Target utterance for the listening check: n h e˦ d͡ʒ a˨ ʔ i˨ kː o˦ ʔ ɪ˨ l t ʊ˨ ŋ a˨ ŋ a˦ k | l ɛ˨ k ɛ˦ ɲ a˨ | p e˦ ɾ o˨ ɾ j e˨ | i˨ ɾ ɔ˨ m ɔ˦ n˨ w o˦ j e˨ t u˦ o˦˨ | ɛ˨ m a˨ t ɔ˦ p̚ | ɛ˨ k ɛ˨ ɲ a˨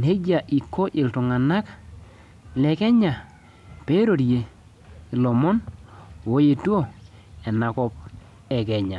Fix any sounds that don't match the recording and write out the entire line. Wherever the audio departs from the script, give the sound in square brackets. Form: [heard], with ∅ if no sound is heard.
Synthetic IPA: n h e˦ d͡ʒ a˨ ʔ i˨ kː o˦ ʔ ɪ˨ l t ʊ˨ ŋ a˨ [n] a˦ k | l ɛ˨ k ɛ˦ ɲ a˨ | p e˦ ɾ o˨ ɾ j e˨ | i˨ [l] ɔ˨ m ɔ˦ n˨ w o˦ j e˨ t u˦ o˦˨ | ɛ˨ [n] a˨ [k] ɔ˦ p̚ | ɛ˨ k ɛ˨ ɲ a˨

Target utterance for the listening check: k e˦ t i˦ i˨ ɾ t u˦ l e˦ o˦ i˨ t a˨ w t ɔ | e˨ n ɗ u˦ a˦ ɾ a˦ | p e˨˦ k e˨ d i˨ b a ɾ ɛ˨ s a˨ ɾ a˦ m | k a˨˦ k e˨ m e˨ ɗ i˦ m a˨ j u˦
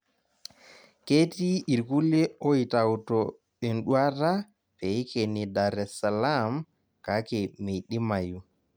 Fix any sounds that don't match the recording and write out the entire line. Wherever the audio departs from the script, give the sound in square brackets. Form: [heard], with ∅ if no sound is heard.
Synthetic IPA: k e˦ t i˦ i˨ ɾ [k] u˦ l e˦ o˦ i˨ t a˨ w t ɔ | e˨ n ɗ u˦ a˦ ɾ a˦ | p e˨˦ k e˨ [n] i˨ [d] a ɾ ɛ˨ s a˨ [l] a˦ m | k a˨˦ k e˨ m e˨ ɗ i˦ m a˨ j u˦

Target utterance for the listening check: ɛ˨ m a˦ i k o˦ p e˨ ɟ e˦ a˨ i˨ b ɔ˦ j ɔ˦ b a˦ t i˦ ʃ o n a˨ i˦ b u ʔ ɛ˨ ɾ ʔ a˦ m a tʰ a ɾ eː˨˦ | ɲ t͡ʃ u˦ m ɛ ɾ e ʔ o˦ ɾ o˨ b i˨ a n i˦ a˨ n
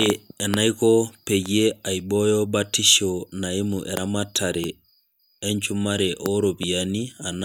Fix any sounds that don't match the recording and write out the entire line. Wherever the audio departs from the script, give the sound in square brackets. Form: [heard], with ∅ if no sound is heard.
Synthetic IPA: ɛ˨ [n] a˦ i k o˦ p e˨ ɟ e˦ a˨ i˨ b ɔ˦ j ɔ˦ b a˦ t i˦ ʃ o n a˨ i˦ [m] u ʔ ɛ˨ ɾ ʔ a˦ m a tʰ a ɾ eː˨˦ | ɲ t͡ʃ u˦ m [a] ɾ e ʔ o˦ ɾ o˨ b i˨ a n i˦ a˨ n

